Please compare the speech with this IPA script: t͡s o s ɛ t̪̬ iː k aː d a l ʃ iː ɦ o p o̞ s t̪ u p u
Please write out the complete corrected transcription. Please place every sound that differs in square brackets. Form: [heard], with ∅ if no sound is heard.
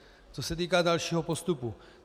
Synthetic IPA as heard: t͡s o s ɛ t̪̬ iː k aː d a l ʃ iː ɦ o p o̞ s t̪ u p u